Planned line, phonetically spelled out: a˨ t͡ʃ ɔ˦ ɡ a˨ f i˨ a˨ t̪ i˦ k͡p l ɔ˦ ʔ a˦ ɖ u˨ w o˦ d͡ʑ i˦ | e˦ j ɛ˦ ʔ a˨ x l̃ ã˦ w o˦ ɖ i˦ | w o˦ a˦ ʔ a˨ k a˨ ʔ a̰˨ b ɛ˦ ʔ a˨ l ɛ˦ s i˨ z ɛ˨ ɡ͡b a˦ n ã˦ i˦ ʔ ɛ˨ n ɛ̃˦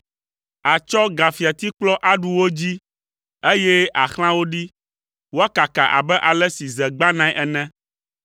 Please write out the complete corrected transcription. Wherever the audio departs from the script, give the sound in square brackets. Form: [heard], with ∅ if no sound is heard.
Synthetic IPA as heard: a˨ t͡ʃ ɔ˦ ɡ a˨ f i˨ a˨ t̪ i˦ k͡p l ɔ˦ ʔ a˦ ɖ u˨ w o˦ d͡ʑ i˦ | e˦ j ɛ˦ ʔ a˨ x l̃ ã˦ w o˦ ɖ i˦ | w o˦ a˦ [k] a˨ k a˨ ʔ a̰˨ b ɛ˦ ʔ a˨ l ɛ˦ s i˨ z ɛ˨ ɡ͡b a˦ n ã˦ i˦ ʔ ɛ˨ n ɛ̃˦

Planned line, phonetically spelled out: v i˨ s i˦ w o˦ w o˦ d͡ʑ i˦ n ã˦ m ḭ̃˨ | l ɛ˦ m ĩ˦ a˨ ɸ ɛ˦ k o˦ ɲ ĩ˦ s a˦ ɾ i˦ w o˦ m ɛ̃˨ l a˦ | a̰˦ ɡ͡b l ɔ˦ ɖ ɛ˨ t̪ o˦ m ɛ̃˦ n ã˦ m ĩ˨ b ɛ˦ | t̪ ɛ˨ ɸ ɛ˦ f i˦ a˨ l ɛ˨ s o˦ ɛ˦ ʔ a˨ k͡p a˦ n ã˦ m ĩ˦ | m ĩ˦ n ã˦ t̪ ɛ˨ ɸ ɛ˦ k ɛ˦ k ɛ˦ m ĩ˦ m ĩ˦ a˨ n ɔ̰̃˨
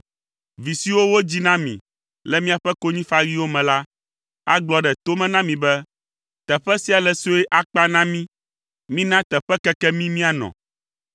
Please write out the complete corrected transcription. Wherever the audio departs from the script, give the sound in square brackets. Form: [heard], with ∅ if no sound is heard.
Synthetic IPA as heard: v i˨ s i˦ w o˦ w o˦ d͡ʑ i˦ n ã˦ m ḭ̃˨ | l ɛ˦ m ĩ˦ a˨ ɸ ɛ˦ k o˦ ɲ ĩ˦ [f] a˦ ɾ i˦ w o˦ m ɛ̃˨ l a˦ | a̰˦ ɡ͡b l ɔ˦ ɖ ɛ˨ t̪ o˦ m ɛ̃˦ n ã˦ m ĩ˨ b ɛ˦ | t̪ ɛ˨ ɸ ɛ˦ [s] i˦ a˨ l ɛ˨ s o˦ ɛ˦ ʔ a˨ k͡p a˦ n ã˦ m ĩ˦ | m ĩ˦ n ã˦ t̪ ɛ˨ ɸ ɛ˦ k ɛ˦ k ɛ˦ m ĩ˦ m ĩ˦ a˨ n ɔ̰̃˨

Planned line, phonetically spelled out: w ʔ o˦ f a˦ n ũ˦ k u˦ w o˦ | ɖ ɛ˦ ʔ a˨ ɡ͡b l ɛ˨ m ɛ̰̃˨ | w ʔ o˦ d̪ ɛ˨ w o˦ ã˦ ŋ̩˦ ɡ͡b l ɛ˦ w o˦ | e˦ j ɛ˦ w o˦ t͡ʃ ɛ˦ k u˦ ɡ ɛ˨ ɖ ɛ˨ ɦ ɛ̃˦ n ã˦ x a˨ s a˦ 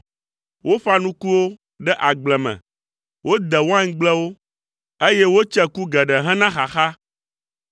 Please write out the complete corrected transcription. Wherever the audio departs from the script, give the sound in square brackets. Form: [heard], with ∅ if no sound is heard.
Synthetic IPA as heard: w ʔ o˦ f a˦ n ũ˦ k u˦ w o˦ | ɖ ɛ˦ ʔ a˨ ɡ͡b l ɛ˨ m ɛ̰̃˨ | w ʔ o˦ d̪ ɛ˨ w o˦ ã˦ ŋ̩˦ ɡ͡b l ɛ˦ w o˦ | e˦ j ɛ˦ w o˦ t͡ʃ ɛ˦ k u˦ ɡ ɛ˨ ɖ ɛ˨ ɦ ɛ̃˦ n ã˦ x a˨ [x] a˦

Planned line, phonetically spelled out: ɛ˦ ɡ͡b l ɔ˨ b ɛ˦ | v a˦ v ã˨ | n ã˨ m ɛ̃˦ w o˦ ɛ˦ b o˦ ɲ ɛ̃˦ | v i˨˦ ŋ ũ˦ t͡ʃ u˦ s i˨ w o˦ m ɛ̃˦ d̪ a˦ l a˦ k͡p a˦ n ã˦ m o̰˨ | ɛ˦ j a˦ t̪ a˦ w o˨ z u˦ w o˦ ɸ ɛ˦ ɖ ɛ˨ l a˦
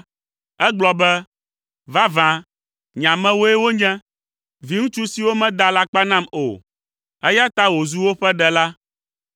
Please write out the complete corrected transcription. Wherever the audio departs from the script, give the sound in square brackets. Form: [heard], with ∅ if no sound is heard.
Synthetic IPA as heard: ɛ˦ ɡ͡b l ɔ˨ b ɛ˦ | v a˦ v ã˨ | [ɲ] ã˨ m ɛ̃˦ w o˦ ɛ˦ [w] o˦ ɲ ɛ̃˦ | v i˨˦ ŋ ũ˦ t͡ʃ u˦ s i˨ w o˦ m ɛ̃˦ d̪ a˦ l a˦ k͡p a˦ n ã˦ m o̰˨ | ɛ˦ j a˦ t̪ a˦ w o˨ z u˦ w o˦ ɸ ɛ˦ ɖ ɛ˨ l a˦

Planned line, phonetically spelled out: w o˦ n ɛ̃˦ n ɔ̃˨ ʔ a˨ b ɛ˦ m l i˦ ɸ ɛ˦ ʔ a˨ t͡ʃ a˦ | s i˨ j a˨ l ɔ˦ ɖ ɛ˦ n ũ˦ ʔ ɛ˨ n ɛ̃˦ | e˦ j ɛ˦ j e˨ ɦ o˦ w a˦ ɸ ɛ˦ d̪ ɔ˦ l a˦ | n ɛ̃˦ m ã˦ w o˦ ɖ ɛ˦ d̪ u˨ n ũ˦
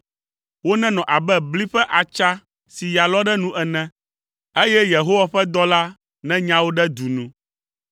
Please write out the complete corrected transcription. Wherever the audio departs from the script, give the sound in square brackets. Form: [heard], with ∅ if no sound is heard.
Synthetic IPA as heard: w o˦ n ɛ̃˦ n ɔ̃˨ ʔ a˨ b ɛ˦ [b] l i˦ ɸ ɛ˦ ʔ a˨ t͡ʃ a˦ | s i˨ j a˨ l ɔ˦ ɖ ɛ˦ n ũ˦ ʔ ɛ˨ n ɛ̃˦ | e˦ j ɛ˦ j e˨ ɦ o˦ w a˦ ɸ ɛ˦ d̪ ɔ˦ l a˦ | n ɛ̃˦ [ɲ] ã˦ w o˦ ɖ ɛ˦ d̪ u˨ n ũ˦

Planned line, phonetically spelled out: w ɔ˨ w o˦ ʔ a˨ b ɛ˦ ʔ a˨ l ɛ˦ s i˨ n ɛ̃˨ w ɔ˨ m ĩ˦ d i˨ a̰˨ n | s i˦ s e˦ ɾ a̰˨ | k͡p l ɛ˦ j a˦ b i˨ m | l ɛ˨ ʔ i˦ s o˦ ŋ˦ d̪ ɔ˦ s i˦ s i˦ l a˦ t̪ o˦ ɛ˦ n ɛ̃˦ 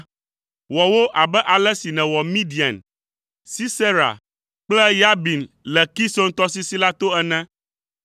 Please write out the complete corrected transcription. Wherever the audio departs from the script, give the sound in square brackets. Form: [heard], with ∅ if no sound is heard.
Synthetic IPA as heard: w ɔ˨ w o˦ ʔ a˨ b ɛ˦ ʔ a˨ l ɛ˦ s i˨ n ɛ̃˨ w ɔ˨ m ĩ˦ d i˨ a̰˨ n | s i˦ s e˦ ɾ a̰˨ | k͡p l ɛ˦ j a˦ b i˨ [n] | l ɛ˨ [k] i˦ s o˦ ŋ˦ [t̪] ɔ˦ s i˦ s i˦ l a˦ t̪ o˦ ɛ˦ n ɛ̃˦

